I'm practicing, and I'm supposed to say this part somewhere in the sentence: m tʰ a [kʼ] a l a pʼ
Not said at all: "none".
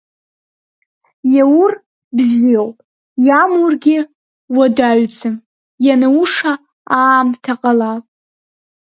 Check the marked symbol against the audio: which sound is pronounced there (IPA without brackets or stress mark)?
qʼ